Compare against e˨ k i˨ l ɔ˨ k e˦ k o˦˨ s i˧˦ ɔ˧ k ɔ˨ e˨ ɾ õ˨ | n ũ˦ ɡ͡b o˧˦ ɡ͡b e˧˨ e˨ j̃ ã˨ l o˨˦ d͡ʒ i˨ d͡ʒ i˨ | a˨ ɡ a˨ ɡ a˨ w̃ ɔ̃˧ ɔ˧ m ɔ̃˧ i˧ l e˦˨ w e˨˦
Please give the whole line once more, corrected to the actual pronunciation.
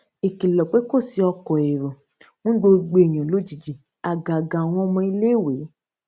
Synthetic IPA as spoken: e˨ k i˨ l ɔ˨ k͡p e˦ k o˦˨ s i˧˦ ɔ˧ k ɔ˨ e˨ ɾ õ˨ | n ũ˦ ɡ͡b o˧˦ ɡ͡b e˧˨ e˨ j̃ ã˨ l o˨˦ d͡ʒ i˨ d͡ʒ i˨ | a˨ ɡ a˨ ɡ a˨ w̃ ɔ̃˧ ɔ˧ m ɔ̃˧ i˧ l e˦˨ w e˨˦

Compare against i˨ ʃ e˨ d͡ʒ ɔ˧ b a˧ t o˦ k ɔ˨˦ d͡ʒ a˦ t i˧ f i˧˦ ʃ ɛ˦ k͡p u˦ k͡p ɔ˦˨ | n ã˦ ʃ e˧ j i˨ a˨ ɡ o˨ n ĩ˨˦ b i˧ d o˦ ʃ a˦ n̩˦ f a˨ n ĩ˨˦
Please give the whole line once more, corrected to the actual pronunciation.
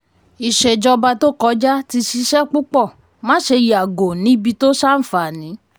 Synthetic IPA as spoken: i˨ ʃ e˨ d͡ʒ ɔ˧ b a˧ t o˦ k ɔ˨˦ d͡ʒ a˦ t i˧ ʃ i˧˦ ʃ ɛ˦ k͡p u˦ k͡p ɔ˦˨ | m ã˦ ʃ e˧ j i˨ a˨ ɡ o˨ n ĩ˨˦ b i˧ t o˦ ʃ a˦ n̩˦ f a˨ n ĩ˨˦

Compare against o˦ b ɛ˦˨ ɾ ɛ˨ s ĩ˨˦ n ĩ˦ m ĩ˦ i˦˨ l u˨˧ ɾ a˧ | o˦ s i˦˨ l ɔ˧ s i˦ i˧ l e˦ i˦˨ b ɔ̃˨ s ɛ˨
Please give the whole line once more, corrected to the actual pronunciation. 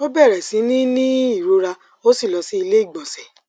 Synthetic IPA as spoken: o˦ b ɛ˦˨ ɾ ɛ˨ s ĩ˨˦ n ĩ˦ n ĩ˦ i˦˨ ɾ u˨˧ ɾ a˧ | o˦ s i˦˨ l ɔ˧ s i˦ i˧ l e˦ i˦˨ ɡ͡b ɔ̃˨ s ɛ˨

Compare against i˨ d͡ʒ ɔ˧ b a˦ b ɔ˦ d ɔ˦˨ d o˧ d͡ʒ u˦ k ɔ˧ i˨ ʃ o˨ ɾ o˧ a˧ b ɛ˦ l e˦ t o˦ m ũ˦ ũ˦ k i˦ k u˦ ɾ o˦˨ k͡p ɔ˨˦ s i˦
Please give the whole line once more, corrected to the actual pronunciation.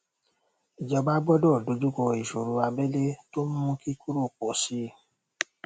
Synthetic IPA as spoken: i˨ d͡ʒ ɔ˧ b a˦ b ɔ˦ d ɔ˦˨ d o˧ d͡ʒ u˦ k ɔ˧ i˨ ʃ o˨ ɾ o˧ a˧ b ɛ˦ l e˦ t o˦ m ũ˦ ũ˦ k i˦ k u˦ ɾ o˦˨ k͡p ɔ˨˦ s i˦

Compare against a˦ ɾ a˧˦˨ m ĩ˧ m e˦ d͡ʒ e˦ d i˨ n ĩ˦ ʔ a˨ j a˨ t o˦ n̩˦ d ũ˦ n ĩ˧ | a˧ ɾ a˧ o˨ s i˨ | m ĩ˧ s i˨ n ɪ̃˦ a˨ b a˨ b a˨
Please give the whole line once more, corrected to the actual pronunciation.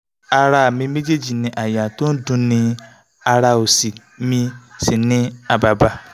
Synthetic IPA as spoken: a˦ ɾ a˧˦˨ m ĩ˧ m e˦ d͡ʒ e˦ d͡ʒ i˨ n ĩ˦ ʔ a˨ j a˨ t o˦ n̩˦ d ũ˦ n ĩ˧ | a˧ ɾ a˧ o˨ s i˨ | m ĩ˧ s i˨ n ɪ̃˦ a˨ b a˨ b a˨

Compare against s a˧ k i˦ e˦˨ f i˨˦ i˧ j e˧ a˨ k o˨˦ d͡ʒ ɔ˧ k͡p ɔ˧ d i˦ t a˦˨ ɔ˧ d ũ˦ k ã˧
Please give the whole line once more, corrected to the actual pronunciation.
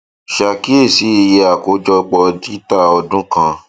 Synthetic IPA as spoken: ʃ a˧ k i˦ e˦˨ s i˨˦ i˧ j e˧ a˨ k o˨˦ d͡ʒ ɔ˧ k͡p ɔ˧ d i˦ t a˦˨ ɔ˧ d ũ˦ k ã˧

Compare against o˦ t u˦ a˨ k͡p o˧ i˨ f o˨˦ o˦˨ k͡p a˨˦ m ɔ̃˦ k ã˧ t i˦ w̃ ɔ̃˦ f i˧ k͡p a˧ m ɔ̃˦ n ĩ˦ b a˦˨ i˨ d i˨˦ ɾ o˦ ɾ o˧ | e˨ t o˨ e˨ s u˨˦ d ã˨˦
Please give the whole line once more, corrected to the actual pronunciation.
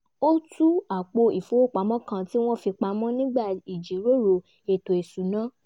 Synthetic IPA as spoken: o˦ t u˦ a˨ k͡p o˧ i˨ f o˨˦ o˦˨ k͡p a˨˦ m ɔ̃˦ k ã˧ t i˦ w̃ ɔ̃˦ f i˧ k͡p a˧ m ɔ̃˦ n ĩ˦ ɡ͡b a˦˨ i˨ d͡ʒ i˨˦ ɾ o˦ ɾ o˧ | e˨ t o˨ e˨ s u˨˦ n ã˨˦

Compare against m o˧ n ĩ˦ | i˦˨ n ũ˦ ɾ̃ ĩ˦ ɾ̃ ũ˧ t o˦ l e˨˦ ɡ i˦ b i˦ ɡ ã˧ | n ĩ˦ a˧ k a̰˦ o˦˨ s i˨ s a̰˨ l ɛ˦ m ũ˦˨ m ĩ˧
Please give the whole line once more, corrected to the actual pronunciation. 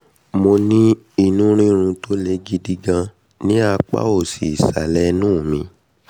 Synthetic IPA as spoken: m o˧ n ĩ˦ | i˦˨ n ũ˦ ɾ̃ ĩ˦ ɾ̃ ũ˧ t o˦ l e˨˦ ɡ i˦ d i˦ ɡ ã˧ | n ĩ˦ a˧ k͡p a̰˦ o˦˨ s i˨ s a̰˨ l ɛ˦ n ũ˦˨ m ĩ˧

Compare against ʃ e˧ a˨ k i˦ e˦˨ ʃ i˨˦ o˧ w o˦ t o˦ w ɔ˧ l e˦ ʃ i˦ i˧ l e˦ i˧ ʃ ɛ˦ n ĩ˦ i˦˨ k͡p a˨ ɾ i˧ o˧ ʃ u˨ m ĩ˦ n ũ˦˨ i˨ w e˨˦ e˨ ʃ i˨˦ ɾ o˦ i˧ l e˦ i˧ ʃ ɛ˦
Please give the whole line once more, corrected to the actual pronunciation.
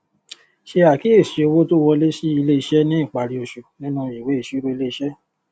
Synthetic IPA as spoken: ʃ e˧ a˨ k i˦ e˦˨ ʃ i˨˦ o˧ w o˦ t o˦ w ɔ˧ l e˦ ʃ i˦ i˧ l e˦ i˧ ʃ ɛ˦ n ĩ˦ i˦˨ k͡p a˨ ɾ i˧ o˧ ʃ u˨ n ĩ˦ n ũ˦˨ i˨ w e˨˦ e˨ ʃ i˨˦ ɾ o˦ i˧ l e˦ i˧ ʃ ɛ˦

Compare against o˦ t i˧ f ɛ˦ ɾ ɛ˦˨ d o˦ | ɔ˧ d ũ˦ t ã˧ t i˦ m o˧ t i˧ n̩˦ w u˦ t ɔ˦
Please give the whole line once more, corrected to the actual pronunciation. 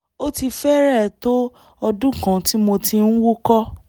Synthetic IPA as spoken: o˦ t i˧ f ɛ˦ ɾ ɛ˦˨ t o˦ | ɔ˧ d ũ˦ k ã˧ t i˦ m o˧ t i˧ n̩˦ w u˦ k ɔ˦

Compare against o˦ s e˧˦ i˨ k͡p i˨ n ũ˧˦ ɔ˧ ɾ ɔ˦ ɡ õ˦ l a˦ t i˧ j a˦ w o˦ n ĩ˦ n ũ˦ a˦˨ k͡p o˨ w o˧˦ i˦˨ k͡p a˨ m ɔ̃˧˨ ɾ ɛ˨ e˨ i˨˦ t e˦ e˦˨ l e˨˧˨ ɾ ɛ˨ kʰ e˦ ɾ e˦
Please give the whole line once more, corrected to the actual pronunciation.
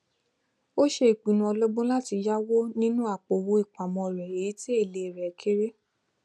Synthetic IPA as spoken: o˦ ʃ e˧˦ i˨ k͡p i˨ n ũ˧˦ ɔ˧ l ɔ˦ ɡ͡b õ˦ l a˦ t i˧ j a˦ w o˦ n ĩ˦ n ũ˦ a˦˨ k͡p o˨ w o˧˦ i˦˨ k͡p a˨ m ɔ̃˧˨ ɾ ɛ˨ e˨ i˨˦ t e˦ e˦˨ l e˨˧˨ ɾ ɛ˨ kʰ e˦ ɾ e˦

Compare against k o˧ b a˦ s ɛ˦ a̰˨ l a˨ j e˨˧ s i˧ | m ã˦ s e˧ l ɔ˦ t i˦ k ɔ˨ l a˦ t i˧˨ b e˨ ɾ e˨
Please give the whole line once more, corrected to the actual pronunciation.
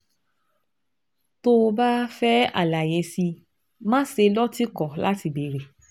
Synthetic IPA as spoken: t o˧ b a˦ f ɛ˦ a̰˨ l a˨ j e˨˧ s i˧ | m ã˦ s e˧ l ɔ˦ t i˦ k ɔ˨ l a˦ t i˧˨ b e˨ ɾ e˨

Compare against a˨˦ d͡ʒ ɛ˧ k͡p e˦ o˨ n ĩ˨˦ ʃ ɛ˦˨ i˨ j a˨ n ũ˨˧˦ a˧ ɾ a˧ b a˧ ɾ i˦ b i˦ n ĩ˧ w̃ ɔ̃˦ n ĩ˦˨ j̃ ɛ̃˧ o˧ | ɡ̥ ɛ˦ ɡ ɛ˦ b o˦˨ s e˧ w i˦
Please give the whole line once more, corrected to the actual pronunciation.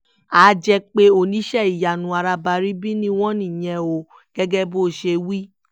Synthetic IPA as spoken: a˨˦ d͡ʒ ɛ˧ k͡p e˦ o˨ n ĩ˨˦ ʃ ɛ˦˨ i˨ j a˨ n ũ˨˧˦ a˧ ɾ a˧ b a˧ ɾ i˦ b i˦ n ĩ˧ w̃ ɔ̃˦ n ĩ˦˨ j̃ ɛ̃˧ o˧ | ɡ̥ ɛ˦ ɡ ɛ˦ b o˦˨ ʃ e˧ w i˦

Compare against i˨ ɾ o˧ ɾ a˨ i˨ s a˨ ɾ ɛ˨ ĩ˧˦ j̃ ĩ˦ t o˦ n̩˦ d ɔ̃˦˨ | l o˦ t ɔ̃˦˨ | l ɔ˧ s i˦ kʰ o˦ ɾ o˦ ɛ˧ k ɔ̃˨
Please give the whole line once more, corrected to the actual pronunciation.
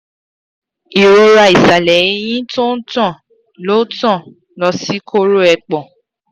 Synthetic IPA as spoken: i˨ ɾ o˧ ɾ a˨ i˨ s a˨ l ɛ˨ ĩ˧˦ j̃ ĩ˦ t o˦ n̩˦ t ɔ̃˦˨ | l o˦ t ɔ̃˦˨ | l ɔ˧ s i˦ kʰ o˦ ɾ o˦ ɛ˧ k͡p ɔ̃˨

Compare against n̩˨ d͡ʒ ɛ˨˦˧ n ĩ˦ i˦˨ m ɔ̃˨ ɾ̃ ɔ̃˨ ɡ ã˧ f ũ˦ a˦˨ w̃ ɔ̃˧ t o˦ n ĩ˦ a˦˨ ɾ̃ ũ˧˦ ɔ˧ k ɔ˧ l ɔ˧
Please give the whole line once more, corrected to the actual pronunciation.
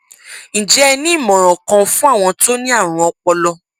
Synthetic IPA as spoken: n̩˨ d͡ʒ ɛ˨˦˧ n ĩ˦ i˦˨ m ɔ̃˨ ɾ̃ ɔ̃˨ k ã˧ f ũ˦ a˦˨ w̃ ɔ̃˧ t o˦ n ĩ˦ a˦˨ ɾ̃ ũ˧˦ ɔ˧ k͡p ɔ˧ l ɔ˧

